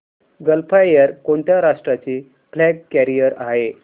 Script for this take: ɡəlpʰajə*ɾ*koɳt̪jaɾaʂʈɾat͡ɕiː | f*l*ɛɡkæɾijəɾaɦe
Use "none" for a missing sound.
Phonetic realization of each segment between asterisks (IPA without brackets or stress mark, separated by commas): ɾ, l